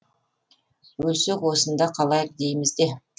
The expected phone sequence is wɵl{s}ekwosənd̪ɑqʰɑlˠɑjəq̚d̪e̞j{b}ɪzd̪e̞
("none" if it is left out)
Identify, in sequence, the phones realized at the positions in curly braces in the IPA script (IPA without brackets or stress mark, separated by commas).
s, m